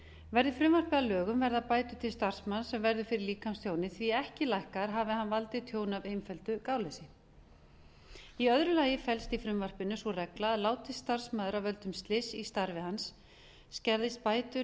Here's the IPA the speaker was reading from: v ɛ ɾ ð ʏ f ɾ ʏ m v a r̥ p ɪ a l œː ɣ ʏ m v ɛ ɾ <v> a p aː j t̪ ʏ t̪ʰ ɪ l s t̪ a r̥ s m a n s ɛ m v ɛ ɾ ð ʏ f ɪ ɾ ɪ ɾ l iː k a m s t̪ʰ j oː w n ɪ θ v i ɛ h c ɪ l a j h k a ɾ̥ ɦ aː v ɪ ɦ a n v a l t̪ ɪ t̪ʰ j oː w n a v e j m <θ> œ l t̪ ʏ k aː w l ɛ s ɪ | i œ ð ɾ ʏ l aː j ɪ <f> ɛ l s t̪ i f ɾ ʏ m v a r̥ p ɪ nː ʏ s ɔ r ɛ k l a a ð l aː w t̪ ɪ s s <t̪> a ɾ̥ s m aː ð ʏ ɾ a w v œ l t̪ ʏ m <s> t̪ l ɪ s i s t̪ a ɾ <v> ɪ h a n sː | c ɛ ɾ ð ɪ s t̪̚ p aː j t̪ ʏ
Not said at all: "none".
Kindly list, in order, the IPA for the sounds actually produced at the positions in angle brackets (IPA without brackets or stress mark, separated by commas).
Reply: ð, f, f, t̪, s, v